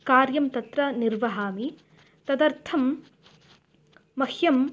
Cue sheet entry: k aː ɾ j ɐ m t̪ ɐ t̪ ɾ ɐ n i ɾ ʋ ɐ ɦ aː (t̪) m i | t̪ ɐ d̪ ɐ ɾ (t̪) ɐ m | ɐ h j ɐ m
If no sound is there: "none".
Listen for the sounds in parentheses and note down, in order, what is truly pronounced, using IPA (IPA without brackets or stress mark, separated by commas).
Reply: none, t̪ʰ